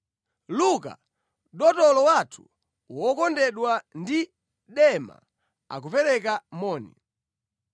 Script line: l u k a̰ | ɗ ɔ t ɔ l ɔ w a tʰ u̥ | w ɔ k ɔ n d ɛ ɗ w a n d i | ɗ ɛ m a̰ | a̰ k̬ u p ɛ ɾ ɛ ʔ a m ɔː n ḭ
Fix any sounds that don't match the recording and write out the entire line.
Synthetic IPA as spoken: l u k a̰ | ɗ ɔ t ɔ l ɔ w a tʰ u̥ | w ɔ k ɔ n d ɛ ɗ w a n d i | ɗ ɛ m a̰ | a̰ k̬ u p ɛ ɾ ɛ k a m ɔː n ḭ